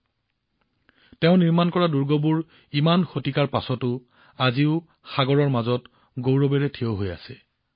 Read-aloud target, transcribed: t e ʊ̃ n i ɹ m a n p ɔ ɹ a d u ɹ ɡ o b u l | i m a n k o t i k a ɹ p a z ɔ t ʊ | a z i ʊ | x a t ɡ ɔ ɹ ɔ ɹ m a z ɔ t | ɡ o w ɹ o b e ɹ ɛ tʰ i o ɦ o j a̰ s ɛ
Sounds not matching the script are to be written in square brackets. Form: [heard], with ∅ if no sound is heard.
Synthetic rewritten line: t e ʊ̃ n i ɹ m a n [k] ɔ ɹ a d u ɹ ɡ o b u [ɹ] | i m a n [x] o t i k a ɹ p a [s] ɔ t ʊ | a z i ʊ | x a [∅] ɡ ɔ ɹ ɔ ɹ m a z ɔ t | ɡ o w ɹ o b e ɹ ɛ tʰ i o ɦ o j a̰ s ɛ

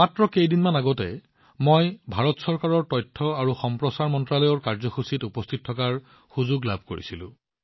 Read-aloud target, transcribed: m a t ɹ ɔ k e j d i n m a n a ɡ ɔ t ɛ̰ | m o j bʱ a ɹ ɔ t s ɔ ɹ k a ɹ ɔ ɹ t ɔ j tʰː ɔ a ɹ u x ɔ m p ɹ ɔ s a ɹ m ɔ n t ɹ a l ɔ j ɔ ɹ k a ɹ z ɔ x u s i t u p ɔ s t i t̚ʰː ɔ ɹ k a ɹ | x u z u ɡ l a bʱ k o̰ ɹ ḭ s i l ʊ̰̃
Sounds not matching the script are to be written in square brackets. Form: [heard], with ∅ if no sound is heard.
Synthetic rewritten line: m a t ɹ ɔ k e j d i n m a n a ɡ ɔ t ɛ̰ | m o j bʱ a ɹ ɔ t s ɔ ɹ k a ɹ ɔ ɹ t ɔ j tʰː ɔ a ɹ u x ɔ m p ɹ ɔ s a ɹ m ɔ n t ɹ a l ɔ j ɔ ɹ k a ɹ z ɔ x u s i t u p ɔ s [tʰ] i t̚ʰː ɔ [∅] k a ɹ | x u z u ɡ l a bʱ k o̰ ɹ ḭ s i l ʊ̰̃

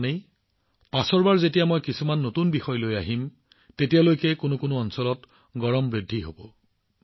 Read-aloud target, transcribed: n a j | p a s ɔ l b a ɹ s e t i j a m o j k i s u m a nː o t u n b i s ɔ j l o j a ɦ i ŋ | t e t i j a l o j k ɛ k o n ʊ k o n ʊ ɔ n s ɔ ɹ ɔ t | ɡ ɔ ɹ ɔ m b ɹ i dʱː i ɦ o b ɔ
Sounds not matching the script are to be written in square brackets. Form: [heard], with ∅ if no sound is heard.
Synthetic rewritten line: n [e] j | p a s ɔ [ɹ] b a ɹ [z] e t i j a m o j k i s u m a nː o t u n b i [x] ɔ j l o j a ɦ i [m] | t e t i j a l o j k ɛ k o n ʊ k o n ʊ ɔ n s ɔ [l] ɔ t | ɡ ɔ ɹ ɔ m b ɹ i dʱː i ɦ o b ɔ

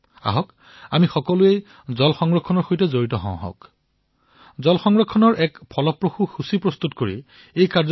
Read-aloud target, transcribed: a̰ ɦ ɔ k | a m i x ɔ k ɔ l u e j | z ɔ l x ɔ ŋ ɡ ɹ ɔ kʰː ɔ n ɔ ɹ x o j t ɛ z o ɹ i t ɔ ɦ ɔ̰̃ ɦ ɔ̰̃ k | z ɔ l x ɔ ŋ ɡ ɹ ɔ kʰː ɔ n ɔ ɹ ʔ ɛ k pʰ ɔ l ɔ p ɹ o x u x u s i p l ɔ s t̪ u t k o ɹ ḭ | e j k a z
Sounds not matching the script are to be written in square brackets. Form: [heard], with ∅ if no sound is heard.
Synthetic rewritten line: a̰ ɦ ɔ k | a m i x ɔ k ɔ l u e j | z ɔ l x ɔ ŋ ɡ ɹ ɔ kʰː ɔ n ɔ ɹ x o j t ɛ z o ɹ i t ɔ ɦ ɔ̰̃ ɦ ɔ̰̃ k | z ɔ l x ɔ ŋ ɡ ɹ ɔ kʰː ɔ n ɔ ɹ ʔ ɛ k pʰ ɔ l ɔ p ɹ o x u x u s i p [ɹ] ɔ s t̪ u t k o ɹ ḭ | e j k a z

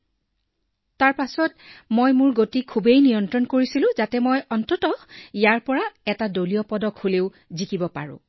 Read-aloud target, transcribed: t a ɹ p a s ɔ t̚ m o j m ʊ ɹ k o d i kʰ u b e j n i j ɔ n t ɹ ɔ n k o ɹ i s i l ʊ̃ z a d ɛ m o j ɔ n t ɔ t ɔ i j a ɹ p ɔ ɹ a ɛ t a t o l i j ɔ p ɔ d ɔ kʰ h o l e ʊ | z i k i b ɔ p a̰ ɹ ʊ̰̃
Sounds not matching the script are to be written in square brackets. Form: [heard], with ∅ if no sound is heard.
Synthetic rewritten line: t a ɹ p a s ɔ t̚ m o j m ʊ ɹ [ɡ] o [t] i kʰ u b e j n i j ɔ n t ɹ ɔ n k o ɹ i s i l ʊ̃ z a [t] ɛ m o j ɔ n t ɔ t ɔ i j a ɹ p ɔ ɹ a ɛ t a [d] o l i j ɔ p ɔ d ɔ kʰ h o l e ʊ | z i k i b ɔ p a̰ ɹ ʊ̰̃

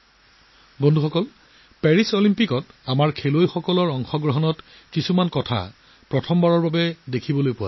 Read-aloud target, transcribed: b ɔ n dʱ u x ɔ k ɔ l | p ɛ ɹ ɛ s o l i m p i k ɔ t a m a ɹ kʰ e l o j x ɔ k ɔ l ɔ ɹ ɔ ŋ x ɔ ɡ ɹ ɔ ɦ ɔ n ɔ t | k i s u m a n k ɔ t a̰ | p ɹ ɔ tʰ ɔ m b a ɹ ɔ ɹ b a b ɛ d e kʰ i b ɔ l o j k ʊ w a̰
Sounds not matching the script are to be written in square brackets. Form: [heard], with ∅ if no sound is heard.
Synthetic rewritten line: b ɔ n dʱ u x ɔ k ɔ l | p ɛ ɹ [i] s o l i m p i k ɔ t a m a ɹ kʰ e l o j x ɔ k ɔ l ɔ ɹ ɔ ŋ x ɔ ɡ ɹ ɔ ɦ ɔ n ɔ t | k i s u m a n k ɔ [tʰ] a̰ | p ɹ ɔ tʰ ɔ m b a ɹ ɔ ɹ b a b ɛ d e kʰ i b ɔ l o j [p] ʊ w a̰

